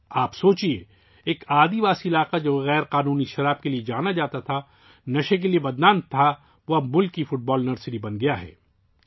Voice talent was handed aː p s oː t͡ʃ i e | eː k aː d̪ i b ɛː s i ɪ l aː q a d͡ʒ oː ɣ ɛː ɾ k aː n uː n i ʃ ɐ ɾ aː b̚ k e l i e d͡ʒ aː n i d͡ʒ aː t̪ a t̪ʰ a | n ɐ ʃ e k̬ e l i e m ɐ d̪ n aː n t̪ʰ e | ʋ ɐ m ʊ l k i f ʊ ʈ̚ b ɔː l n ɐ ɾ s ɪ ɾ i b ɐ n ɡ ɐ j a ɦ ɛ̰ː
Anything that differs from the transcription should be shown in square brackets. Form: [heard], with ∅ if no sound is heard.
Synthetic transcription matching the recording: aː p s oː t͡ʃ i e | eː k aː d̪ i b [aː] s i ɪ l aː q a d͡ʒ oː ɣ ɛː ɾ [q] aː n uː n i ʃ ɐ ɾ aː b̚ k e l i e d͡ʒ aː n [a] d͡ʒ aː t̪ a t̪ʰ a | n ɐ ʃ e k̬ e l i e [b] ɐ d̪ n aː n t̪ʰ [a] | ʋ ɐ m ʊ l k i f ʊ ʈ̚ b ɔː l n ɐ ɾ s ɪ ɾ i b ɐ n ɡ ɐ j a ɦ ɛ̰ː